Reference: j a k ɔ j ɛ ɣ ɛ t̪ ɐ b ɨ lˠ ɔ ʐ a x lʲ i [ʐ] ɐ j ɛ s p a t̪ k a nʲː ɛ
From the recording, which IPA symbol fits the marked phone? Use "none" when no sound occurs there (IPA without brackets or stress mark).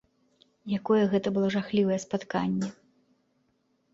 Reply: v